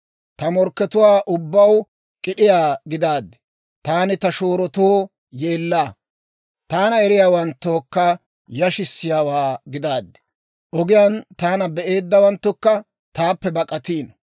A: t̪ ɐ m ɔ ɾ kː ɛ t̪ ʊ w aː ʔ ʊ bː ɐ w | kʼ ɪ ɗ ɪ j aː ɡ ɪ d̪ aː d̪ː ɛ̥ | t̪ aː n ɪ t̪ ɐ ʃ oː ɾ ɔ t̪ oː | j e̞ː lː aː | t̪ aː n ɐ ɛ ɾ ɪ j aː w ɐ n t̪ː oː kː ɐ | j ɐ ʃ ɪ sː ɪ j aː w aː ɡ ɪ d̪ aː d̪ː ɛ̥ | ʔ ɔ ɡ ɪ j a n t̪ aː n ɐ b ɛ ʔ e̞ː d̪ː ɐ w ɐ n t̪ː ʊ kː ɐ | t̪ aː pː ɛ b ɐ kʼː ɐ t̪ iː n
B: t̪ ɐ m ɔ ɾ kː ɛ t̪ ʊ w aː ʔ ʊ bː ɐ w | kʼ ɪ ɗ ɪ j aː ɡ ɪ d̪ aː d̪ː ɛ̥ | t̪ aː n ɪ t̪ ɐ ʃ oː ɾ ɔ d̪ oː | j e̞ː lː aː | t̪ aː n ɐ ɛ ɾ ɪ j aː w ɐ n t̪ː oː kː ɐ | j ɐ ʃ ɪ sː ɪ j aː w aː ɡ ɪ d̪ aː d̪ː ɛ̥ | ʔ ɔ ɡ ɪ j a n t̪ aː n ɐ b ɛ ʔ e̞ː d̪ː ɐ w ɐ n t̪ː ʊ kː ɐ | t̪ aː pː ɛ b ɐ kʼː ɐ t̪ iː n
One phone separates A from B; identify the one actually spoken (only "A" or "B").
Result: A